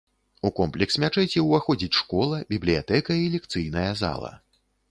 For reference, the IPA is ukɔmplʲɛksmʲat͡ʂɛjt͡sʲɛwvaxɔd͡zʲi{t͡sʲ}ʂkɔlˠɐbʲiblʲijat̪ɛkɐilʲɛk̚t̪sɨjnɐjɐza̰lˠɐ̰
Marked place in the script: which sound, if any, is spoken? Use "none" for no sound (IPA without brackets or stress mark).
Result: t͡sʲ